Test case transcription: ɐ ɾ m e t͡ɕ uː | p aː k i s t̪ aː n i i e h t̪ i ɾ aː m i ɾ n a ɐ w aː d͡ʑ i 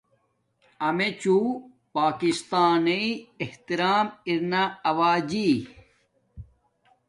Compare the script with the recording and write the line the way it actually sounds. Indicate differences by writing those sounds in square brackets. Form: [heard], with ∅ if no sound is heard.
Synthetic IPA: ɐ [∅] m e t͡ɕ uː | p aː k i s t̪ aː n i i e h t̪ i ɾ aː m i ɾ n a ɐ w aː d͡ʑ i